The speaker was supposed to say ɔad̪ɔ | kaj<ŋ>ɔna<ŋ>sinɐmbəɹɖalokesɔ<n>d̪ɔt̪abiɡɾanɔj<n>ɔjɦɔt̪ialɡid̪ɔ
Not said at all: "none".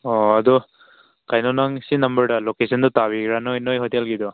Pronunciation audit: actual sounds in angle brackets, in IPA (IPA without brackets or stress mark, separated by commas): n, ŋ, n, n